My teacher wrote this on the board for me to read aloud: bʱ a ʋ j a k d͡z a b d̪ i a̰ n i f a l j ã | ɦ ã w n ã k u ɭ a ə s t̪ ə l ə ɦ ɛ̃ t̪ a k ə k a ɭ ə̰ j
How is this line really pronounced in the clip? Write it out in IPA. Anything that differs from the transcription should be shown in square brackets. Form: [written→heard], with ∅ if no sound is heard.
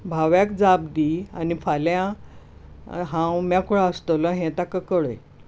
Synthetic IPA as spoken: bʱ a ʋ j a k d͡z a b d̪ i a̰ n i f a l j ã | ɦ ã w [n→m] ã k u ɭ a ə s t̪ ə l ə ɦ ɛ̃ t̪ a k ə k [a→ə] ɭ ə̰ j